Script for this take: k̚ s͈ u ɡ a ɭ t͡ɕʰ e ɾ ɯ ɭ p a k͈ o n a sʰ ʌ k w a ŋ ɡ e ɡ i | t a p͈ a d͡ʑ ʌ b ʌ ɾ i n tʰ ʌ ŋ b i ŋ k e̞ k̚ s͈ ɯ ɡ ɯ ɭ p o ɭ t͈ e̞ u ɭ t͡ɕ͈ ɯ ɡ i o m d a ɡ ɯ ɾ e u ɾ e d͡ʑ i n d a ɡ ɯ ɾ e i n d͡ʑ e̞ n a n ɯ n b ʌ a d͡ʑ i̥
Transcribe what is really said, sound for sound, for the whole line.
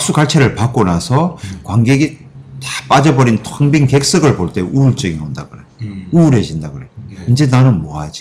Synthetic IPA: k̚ s͈ u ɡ a ɭ t͡ɕʰ e ɾ ɯ ɭ p a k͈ o n a sʰ ʌ k w a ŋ ɡ e ɡ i | t a p͈ a d͡ʑ ʌ b ʌ ɾ i n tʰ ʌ ŋ b i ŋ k e̞ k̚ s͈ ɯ ɡ ɯ ɭ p o ɭ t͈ e̞ u ɭ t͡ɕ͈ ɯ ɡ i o n d a ɡ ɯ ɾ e u ɾ e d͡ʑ i n d a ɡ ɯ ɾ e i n d͡ʑ e̞ n a n ɯ n m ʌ a d͡ʑ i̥